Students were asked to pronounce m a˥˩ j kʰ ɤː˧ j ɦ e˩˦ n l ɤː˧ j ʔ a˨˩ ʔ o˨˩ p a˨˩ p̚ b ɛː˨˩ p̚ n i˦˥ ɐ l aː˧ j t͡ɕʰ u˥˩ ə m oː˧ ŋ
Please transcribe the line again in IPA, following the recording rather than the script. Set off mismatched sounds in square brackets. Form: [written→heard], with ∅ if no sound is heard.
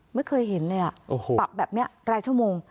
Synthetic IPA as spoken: m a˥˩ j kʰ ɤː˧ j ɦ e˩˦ n l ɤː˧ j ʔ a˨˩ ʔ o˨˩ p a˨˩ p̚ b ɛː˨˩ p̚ n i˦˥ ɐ [l→ɾ] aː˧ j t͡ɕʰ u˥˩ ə m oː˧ ŋ

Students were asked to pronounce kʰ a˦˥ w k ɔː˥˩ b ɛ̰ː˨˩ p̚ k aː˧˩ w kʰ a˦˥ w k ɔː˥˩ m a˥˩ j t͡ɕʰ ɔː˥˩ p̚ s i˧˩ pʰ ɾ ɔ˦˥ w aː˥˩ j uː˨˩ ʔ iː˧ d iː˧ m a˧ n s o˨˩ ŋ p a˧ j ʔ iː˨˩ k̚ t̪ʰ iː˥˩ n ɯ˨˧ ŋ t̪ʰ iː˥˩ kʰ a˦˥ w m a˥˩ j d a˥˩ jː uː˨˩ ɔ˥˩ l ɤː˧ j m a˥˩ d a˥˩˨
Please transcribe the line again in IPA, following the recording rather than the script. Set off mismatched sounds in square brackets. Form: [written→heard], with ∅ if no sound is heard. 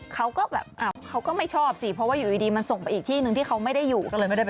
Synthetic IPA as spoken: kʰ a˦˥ w k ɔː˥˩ b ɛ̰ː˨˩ p̚ [k→ʔ] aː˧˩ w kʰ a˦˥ w k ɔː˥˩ m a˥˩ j t͡ɕʰ ɔː˥˩ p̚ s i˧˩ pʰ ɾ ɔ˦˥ w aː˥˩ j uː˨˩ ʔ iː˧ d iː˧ m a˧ n s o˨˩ ŋ p a˧ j ʔ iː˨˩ k̚ t̪ʰ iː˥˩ n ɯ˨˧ ŋ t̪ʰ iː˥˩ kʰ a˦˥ w m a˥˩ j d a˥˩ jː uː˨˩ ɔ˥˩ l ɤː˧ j m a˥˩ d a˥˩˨

